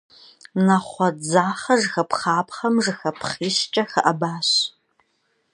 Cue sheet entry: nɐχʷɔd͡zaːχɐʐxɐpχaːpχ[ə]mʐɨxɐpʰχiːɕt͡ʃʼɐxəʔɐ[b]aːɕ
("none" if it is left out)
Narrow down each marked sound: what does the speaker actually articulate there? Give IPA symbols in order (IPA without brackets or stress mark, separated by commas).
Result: ɐ, b